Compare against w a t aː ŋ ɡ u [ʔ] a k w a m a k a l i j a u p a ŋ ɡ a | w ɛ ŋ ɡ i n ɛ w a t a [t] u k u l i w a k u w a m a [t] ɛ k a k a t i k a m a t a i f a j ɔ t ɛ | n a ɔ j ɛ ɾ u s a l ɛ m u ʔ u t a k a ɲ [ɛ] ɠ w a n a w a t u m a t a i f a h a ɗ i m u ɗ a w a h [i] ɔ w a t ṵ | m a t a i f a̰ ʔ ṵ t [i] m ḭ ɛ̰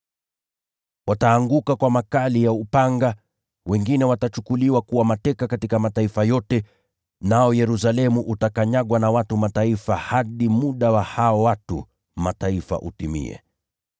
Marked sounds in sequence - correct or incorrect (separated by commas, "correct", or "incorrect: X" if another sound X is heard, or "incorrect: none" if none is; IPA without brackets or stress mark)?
incorrect: k, incorrect: t͡ʃ, correct, incorrect: a, incorrect: a, correct